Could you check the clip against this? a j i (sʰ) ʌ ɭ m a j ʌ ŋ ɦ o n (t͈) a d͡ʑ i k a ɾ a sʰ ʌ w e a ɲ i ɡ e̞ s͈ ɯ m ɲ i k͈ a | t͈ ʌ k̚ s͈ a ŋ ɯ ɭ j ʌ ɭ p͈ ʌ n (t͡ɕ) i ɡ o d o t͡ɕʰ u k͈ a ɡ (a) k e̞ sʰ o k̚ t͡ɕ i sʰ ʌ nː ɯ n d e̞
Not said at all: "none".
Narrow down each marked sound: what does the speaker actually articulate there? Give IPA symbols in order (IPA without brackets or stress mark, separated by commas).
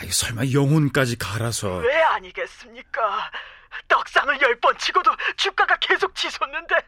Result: sʰ, k͈, t͡ɕʰ, a